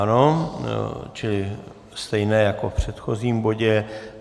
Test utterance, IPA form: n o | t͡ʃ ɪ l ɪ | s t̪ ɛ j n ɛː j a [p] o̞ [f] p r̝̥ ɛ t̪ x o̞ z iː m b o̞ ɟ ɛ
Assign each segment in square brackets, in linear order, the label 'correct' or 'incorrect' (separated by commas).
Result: incorrect, correct